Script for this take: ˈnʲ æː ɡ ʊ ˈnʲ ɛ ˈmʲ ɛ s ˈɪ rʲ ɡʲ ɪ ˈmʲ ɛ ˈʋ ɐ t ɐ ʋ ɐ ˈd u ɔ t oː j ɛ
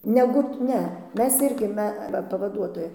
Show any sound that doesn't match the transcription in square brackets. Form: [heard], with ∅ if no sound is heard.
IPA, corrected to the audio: ˈnʲ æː ɡ ʊ ˈnʲ ɛ ˈmʲ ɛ s ˈɪ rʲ ɡʲ ɪ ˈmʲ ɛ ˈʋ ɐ [p] ɐ ʋ ɐ ˈd u ɔ t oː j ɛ